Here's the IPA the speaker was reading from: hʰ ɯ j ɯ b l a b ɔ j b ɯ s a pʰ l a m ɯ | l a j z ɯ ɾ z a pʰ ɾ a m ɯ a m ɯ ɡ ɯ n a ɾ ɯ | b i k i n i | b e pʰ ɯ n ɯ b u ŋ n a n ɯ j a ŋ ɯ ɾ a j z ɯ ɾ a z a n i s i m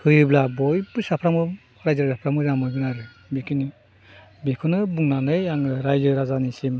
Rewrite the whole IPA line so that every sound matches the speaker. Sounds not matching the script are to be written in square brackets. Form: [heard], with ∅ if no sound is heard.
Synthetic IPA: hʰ ɯ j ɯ b l a b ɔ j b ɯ s a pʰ [ɾ] a m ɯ | [ɾ] a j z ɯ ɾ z a pʰ ɾ a m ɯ a m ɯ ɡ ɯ n a ɾ ɯ | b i k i n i | b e [kʰ] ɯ n ɯ b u ŋ n a n ɯ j a ŋ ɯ ɾ a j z ɯ ɾ a z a n i s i m